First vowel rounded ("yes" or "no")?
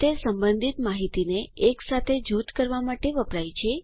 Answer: no